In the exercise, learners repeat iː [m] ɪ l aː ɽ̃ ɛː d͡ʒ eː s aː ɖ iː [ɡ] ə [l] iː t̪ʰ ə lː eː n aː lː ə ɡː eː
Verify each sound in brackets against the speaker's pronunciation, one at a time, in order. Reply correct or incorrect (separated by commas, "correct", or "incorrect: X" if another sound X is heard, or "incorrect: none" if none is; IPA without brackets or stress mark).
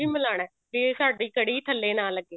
correct, incorrect: k, incorrect: ɽ